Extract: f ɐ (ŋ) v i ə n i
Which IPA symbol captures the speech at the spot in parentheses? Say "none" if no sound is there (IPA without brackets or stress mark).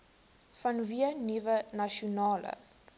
n